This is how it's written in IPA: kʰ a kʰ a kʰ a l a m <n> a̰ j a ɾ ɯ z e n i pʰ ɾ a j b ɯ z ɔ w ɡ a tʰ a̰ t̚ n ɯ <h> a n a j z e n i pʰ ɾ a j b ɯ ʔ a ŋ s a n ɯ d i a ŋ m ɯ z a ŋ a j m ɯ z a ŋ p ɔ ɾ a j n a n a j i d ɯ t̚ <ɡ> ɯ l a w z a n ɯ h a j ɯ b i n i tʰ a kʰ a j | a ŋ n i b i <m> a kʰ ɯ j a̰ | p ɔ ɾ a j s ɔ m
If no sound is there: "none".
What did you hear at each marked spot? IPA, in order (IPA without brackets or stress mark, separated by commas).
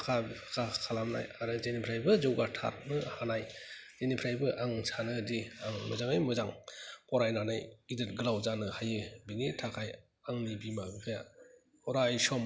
n, h, ɡ, m